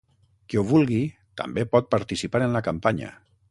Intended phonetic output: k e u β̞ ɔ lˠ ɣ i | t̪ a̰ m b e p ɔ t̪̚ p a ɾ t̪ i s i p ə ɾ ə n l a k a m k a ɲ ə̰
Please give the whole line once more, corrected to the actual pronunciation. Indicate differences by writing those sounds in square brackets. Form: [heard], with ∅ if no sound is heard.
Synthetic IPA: k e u β̞ [u] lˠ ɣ i | t̪ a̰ m b e p ɔ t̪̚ p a ɾ t̪ i s i p [a] ɾ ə n l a k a m [p] a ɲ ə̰